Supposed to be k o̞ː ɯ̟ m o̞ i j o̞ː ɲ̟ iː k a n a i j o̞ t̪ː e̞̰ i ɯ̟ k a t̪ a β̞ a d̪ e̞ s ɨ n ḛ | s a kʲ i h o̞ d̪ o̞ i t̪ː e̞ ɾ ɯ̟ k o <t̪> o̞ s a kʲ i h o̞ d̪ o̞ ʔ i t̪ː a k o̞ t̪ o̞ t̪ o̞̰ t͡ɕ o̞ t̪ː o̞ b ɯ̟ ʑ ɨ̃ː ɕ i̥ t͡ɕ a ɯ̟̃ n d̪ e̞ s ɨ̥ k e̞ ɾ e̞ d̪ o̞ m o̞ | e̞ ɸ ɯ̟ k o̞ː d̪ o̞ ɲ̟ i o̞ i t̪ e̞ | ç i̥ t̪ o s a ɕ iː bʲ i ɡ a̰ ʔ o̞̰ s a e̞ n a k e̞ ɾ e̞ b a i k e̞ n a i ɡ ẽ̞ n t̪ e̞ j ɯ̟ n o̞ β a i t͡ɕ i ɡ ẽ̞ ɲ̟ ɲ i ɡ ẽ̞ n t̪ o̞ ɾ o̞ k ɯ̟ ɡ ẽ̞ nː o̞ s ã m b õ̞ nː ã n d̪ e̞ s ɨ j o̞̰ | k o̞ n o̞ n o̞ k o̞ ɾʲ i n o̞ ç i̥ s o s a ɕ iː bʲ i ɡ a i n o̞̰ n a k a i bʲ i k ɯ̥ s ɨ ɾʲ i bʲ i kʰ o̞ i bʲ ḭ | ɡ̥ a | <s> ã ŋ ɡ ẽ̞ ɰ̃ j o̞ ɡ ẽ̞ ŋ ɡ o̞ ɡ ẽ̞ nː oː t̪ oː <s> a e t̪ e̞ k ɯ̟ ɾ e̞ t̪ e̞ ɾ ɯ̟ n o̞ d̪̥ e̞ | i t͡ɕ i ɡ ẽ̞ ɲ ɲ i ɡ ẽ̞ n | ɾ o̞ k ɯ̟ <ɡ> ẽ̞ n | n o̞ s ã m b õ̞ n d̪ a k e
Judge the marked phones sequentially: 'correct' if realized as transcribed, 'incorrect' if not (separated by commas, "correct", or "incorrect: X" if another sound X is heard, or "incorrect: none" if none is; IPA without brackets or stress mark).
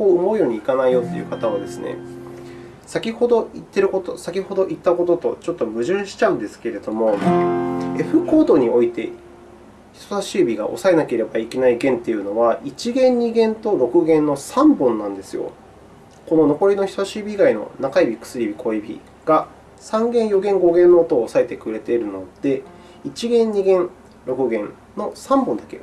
correct, correct, correct, correct